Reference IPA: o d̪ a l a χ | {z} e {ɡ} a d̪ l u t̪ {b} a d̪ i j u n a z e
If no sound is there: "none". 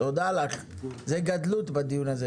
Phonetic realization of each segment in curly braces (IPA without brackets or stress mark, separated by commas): z, ɡ, b